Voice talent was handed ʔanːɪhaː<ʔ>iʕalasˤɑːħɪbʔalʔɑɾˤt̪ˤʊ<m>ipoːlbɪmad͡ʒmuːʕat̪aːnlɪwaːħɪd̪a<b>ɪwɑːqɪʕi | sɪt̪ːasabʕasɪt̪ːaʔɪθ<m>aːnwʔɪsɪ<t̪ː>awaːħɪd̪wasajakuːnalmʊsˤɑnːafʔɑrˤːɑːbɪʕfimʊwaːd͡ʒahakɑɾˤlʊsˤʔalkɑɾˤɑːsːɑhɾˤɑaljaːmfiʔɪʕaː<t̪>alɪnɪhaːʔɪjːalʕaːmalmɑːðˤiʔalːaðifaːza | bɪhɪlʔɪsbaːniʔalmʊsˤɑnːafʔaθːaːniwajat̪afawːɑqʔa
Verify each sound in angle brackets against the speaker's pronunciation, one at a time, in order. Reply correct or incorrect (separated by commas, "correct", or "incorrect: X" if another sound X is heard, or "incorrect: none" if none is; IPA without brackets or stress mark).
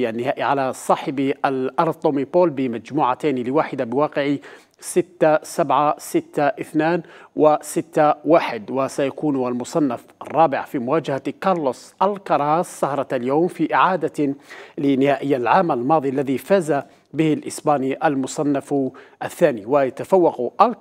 correct, correct, correct, incorrect: n, correct, incorrect: d̪